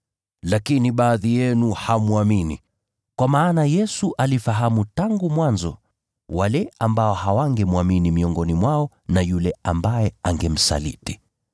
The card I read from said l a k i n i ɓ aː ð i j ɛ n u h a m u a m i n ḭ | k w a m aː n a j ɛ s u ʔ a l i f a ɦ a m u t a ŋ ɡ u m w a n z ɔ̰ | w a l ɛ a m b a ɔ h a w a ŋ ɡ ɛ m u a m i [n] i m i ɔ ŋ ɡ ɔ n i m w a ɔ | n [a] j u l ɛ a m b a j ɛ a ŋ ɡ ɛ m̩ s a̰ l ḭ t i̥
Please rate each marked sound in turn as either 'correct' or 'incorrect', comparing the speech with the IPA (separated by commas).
correct, correct